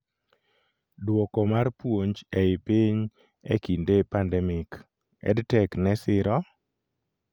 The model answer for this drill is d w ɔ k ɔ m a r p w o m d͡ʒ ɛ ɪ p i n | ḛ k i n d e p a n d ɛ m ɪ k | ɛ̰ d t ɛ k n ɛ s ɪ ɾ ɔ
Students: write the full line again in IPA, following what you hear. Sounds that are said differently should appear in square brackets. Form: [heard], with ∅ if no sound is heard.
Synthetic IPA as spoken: d w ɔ k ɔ m a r p w o [ɲ] d͡ʒ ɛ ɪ p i [ɲ] | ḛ k i n d e p a n d ɛ m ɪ k | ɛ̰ d t ɛ k n ɛ s ɪ ɾ ɔ